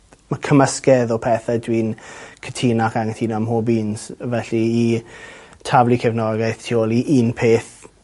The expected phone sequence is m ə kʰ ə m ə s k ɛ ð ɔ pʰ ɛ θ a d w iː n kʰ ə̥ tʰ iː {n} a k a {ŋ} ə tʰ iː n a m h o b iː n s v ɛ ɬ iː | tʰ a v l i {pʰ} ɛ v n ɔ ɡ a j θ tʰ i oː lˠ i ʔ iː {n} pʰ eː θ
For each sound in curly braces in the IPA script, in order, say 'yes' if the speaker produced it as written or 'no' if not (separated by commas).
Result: yes, yes, no, yes